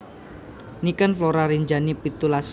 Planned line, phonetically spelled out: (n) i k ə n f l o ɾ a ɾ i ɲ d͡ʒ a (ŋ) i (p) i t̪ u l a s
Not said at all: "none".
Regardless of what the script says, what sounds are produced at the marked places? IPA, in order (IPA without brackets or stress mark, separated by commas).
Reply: n, n, p